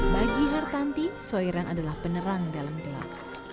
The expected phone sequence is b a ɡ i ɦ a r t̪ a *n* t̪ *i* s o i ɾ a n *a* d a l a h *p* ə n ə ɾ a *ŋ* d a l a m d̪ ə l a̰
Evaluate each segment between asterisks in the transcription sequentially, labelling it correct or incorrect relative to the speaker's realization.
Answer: correct, correct, correct, correct, correct

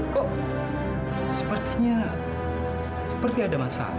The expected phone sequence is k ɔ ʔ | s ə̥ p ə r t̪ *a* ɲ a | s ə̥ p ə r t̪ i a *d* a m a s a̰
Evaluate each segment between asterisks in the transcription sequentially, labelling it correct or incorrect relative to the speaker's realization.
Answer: incorrect, correct

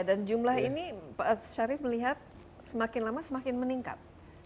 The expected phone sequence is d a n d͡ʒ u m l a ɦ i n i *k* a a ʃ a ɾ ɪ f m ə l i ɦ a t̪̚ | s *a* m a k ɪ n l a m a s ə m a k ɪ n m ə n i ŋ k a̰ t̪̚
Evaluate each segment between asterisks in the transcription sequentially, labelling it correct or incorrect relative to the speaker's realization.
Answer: incorrect, incorrect

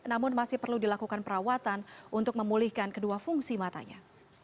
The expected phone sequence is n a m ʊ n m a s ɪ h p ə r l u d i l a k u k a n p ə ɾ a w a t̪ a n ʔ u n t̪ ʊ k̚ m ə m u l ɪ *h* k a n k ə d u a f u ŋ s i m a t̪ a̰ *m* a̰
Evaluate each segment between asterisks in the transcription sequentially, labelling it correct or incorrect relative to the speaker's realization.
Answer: correct, incorrect

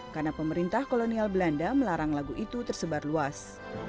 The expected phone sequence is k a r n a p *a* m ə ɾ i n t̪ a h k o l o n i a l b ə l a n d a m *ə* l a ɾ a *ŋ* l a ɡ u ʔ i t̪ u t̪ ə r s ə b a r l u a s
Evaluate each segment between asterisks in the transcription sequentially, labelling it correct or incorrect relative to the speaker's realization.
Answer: incorrect, correct, correct

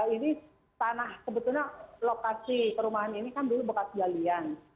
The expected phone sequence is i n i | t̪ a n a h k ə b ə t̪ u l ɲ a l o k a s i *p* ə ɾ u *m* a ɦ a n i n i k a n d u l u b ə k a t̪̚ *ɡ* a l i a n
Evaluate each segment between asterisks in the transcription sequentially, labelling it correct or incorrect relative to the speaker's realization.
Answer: incorrect, correct, correct

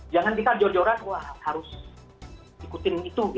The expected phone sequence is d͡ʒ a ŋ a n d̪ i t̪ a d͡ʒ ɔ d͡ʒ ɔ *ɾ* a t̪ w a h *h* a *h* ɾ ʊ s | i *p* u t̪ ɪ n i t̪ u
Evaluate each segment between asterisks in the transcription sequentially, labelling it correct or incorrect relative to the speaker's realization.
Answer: correct, correct, incorrect, incorrect

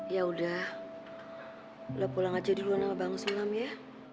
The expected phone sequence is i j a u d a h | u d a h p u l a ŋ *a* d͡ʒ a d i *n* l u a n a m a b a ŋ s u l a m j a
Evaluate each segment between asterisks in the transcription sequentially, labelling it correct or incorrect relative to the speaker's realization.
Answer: correct, incorrect

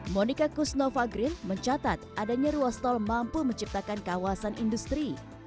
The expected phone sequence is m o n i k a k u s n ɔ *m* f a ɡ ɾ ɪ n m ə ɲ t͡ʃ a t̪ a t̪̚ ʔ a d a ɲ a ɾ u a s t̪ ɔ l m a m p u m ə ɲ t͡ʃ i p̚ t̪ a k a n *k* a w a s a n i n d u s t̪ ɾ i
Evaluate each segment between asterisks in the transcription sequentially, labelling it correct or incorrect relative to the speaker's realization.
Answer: incorrect, correct

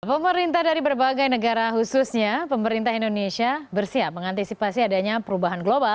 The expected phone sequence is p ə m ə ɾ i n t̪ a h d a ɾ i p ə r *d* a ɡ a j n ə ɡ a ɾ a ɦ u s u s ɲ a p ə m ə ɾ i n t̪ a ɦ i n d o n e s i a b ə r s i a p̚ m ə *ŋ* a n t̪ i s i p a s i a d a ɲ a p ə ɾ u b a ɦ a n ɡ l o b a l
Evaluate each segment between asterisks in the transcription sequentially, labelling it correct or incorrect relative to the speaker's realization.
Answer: incorrect, correct

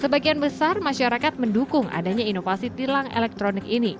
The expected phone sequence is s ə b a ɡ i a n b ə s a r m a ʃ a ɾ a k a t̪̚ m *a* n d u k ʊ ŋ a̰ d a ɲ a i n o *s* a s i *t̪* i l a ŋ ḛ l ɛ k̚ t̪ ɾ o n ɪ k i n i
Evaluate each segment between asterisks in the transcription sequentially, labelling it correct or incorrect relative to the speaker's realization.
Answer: incorrect, incorrect, correct

